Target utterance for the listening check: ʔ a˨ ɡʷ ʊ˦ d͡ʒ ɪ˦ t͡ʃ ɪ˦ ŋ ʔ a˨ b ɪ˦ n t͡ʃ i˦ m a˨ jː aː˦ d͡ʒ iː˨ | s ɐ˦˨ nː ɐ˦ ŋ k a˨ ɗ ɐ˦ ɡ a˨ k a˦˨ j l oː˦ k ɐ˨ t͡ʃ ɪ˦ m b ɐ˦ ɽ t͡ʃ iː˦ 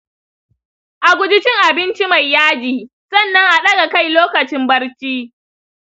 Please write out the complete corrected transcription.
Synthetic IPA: ʔ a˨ ɡʷ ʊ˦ d͡ʒ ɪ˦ t͡ʃ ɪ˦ ŋ ʔ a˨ b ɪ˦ n t͡ʃ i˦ m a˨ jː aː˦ d͡ʒ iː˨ | s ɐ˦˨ nː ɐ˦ ŋ ʔ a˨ ɗ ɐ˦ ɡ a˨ k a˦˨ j l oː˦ k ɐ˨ t͡ʃ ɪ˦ m b ɐ˦ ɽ t͡ʃ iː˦

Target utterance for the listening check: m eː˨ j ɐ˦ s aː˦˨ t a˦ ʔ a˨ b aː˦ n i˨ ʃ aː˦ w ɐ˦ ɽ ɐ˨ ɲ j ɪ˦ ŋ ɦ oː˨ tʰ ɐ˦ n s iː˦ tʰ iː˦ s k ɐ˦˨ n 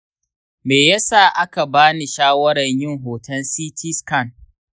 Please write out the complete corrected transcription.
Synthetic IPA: m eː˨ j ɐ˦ s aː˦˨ ʔ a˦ k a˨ b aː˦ n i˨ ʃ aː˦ w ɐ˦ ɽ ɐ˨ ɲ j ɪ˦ ŋ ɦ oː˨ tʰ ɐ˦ n s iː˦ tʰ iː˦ s k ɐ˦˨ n

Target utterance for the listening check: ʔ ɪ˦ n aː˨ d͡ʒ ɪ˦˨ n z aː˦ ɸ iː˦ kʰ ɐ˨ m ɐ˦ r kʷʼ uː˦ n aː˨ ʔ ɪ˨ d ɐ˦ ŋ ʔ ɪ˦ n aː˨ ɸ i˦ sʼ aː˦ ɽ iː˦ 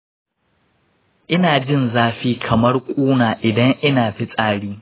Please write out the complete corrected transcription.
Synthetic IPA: ʔ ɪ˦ n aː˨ d͡ʒ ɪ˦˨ n z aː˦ ɸ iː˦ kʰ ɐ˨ m ɐ˦ r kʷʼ uː˦ n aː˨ ʔ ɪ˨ d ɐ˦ ŋ ʔ ɪ˦ n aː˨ ɸ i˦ sʼ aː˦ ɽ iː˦

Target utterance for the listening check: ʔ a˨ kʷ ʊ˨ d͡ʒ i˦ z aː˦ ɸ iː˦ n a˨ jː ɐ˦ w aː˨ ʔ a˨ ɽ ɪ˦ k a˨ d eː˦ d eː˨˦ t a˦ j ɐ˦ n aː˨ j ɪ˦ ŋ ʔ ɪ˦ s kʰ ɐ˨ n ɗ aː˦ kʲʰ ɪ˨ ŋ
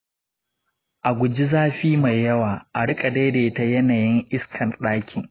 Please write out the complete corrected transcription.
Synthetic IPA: ʔ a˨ ɡʷ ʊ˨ d͡ʒ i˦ z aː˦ ɸ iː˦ m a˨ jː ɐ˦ w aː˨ ʔ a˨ ɽ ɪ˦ kʼ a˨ d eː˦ d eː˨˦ t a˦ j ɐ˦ n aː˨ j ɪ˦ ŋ ʔ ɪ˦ s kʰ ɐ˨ n ɗ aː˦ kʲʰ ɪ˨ ŋ

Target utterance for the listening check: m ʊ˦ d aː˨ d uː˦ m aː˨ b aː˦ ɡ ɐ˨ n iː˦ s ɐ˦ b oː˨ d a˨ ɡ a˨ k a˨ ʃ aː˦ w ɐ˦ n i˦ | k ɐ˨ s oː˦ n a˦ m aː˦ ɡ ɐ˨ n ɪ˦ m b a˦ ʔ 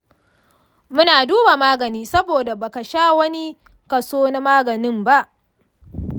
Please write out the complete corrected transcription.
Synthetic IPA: m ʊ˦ n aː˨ d uː˦ b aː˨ m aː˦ ɡ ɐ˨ n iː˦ s ɐ˦ b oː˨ d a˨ b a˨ k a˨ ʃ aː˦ w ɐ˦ n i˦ | k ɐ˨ s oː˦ n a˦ m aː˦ ɡ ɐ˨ n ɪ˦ m b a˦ ʔ

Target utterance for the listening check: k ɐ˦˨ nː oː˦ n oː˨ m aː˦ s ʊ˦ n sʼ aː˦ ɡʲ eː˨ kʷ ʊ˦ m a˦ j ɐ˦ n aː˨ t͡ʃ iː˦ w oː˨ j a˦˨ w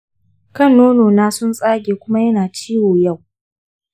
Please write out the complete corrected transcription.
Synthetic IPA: k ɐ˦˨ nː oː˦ n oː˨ n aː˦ s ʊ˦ n sʼ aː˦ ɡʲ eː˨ kʷ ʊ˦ m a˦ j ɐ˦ n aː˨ t͡ʃ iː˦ w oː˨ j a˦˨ w

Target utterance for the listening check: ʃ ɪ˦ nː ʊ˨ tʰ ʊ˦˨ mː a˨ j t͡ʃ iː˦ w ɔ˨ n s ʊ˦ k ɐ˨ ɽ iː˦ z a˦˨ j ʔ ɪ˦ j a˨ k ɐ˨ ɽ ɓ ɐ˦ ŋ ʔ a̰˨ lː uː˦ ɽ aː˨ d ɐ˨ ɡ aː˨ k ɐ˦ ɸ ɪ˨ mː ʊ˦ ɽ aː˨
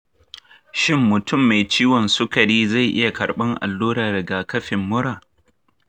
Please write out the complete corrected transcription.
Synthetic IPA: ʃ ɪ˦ mː ʊ˨ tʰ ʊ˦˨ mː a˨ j t͡ʃ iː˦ w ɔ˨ n s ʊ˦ k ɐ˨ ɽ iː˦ z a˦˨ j ʔ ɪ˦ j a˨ k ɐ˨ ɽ ɓ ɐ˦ ŋ ʔ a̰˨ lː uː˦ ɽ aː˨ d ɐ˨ ɡ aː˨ k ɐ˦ ɸ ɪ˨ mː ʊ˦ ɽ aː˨

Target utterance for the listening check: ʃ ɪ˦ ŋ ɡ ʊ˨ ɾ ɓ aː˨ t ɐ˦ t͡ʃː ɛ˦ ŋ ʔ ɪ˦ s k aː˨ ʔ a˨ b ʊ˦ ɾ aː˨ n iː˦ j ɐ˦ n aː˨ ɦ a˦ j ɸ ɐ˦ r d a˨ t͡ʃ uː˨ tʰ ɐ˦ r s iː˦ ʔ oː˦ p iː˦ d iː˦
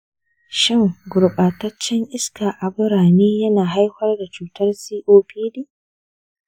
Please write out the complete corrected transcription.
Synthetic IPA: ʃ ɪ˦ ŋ ɡ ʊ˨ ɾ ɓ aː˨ t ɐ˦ t͡ʃː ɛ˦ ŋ ʔ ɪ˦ s k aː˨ ʔ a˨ b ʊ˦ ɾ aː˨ n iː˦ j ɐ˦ n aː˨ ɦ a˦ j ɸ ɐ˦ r d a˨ t͡ʃ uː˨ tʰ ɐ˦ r s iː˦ ʔ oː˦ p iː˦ d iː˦

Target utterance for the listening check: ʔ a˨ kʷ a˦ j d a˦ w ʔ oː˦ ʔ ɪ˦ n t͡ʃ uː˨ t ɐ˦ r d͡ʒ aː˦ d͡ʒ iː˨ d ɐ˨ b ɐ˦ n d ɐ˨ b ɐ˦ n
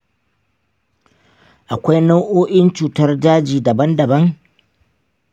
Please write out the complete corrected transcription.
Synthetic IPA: ʔ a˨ kʷ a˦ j n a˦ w ʔ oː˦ ʔ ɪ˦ n t͡ʃ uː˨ t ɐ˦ r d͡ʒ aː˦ d͡ʒ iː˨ d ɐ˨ b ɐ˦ n d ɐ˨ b ɐ˦ ŋ

